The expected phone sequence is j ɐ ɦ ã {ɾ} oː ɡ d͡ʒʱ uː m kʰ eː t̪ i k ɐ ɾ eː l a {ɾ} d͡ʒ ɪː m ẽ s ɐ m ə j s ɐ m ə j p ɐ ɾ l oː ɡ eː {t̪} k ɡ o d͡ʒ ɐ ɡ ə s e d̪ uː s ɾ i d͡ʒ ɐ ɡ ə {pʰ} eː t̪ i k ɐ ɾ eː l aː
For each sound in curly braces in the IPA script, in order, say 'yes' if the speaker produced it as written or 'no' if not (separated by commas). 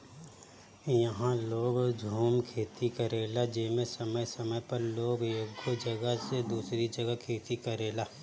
no, no, no, no